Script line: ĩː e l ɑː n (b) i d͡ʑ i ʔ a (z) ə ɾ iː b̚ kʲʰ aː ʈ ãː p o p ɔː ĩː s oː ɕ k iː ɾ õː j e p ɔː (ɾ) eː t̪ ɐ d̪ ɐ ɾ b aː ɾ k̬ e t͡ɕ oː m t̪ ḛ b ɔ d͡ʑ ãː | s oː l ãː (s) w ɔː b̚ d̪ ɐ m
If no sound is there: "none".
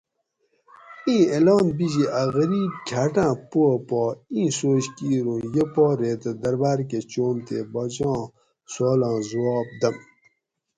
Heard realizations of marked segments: b, ɣ, ɾ, z

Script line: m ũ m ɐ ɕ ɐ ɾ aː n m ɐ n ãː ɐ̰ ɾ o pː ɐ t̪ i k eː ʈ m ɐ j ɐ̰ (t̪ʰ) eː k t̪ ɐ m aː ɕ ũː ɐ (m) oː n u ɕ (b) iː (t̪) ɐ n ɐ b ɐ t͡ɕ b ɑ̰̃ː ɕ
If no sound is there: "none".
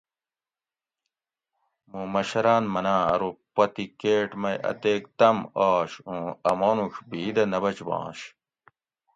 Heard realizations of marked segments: t̪, m, b, d̪

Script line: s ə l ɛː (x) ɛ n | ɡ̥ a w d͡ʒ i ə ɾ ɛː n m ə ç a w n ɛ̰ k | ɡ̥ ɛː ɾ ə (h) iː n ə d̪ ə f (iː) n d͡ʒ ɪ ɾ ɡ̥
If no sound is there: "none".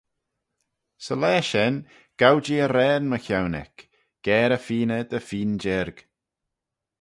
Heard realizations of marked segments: ʃ, f, iː

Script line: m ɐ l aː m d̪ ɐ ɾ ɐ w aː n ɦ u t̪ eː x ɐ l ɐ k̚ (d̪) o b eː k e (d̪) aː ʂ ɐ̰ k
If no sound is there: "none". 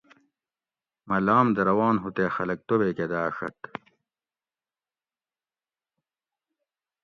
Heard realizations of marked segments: t̪, d̪

